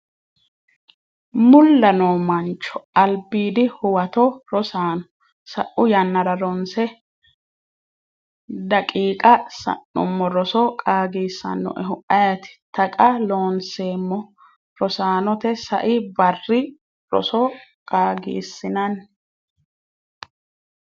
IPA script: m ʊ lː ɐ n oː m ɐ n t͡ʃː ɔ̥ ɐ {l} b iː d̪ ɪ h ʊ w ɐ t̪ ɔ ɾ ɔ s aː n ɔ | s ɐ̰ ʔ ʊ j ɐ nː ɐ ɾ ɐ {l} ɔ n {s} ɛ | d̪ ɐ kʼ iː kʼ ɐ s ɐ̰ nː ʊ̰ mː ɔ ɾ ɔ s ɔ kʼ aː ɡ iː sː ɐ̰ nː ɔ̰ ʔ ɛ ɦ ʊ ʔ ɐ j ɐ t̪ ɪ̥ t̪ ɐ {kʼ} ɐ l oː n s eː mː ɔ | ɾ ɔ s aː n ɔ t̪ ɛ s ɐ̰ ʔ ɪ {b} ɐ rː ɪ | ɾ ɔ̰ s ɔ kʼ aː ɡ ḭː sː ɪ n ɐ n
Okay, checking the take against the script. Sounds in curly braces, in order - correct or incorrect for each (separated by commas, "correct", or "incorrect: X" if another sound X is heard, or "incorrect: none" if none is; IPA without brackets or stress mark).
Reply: correct, incorrect: ɾ, correct, correct, correct